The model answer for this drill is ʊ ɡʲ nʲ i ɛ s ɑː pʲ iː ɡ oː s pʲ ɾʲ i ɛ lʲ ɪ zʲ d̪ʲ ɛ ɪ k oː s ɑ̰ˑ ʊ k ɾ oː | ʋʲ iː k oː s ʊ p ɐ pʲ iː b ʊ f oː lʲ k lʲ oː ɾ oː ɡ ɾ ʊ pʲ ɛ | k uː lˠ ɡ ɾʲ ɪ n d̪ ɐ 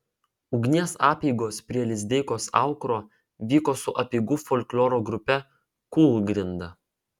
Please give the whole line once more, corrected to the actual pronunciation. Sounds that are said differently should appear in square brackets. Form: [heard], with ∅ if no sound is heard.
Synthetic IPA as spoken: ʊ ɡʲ nʲ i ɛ s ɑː pʲ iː ɡ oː s pʲ ɾʲ i ɛ lʲ ɪ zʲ d̪ʲ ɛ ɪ k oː s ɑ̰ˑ ʊ k ɾ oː | ʋʲ iː k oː s ʊ [ʔ] ɐ pʲ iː [ɡ] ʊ f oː lʲ k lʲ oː ɾ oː ɡ ɾ ʊ pʲ ɛ | k uː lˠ ɡ ɾʲ ɪ n d̪ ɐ